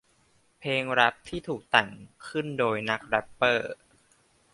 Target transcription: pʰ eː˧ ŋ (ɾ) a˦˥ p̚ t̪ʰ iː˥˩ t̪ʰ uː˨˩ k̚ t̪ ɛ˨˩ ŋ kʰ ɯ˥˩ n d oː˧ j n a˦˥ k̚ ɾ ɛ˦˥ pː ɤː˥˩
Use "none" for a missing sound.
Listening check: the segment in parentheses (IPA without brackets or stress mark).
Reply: ɾ